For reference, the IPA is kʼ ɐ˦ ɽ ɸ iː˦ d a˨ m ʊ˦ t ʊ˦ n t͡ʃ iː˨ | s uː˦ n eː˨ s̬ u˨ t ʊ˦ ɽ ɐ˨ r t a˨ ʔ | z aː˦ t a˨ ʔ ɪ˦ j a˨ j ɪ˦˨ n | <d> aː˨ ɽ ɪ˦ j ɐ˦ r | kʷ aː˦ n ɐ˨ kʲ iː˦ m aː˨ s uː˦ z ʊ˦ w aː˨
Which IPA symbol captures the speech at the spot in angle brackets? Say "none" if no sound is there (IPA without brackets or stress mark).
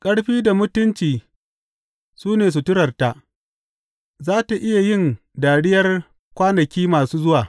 d